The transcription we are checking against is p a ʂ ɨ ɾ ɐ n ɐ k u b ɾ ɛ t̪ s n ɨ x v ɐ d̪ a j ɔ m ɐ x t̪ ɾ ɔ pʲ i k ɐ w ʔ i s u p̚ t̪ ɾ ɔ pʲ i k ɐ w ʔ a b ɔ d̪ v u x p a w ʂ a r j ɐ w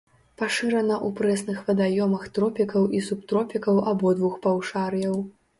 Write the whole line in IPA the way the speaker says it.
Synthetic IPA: p a ʂ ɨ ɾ ɐ n ɐ ʔ u p ɾ ɛ s n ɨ x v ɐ d̪ a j ɔ m ɐ x t̪ ɾ ɔ pʲ i k ɐ w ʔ i s u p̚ t̪ ɾ ɔ pʲ i k ɐ w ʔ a b ɔ d̪ v u x p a w ʂ a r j ɐ w